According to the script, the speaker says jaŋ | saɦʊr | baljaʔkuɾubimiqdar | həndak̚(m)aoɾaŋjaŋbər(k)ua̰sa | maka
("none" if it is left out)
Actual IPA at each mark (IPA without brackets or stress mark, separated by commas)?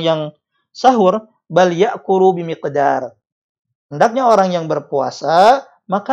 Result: ɲ, p